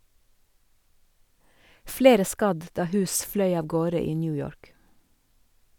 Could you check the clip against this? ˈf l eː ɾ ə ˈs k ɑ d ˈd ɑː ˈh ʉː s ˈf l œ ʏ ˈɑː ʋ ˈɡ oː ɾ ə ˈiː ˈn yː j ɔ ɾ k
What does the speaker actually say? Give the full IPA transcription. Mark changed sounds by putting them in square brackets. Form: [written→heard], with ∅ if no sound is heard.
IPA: ˈf l eː ɾ ə ˈs k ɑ d ˈd ɑː ˈh ʉː s ˈf l œ ʏ ˈɑː ʋ ˈɡ oː ɾ ə ˈiː ˈn yː j ɔ [ɾ→ɹ] k